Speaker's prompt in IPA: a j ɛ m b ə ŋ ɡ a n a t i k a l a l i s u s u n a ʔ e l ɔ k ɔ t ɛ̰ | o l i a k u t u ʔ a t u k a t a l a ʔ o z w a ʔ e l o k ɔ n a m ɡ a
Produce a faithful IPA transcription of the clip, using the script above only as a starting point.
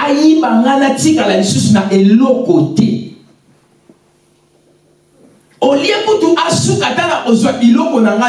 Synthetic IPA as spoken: a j i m b a ŋ ɡ a n a t i k a l a l i s u s u n a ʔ e l ɔ k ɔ t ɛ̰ | o l i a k u t u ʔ a s u k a t a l a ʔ o z w a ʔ e l ɔ k ɔ n a ŋ ɡ a